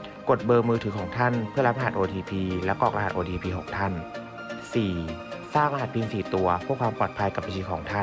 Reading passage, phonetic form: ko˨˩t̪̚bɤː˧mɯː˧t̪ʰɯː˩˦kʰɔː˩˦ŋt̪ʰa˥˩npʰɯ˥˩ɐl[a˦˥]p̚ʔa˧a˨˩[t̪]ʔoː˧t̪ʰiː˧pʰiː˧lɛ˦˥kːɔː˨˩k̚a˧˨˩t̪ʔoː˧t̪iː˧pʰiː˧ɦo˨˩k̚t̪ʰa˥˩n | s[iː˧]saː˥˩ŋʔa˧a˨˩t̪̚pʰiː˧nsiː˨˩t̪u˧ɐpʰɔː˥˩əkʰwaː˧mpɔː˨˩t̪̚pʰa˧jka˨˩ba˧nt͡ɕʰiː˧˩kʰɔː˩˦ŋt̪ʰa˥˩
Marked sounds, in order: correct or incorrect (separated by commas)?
correct, correct, incorrect